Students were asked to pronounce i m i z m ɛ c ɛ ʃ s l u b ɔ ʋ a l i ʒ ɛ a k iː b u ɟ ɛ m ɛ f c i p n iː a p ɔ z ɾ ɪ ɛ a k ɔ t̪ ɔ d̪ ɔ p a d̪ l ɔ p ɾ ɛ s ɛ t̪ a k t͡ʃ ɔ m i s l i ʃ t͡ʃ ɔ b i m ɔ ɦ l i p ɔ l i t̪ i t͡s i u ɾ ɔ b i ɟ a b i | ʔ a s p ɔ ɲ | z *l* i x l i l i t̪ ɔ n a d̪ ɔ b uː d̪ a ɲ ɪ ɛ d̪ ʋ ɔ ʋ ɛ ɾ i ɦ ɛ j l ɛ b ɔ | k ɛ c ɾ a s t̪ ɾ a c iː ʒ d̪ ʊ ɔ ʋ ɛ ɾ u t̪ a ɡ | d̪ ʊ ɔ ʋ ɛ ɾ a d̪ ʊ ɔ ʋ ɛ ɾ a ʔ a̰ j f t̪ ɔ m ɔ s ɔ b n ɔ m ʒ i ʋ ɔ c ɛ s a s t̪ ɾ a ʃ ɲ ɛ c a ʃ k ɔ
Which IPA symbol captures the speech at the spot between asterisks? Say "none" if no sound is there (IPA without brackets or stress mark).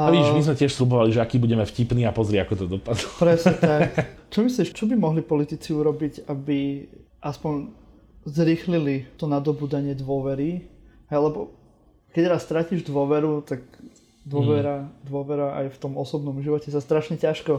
ɾ